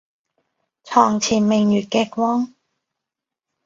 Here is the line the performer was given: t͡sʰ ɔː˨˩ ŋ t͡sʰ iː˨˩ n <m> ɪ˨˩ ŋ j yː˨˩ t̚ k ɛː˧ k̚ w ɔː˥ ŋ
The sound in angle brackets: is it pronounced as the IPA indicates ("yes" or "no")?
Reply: yes